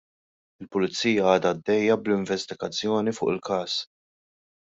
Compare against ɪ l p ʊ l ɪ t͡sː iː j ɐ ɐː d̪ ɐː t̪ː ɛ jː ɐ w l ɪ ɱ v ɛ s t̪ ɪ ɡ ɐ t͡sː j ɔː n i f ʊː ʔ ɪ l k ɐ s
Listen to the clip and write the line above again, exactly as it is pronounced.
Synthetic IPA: ɪ l p ʊ l ɪ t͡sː iː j ɐ ɐː d̪ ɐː d̪ː ɛ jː ɐ b l ɪ ɱ v ɛ s t̪ ɪ ɡ ɐ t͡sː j ɔː n i f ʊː ʔ ɪ l k ɐː s